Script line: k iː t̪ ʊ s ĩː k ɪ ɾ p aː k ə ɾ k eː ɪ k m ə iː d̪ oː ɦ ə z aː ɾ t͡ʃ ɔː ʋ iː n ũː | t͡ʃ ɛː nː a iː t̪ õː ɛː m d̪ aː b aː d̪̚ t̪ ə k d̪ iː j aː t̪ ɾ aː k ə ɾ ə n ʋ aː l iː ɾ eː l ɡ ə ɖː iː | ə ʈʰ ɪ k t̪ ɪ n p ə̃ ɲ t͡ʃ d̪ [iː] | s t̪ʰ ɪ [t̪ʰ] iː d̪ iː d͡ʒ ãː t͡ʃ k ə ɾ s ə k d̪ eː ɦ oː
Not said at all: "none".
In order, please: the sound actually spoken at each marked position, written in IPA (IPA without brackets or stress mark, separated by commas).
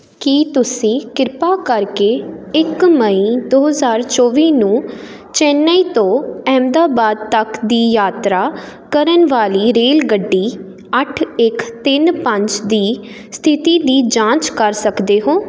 iː, t̪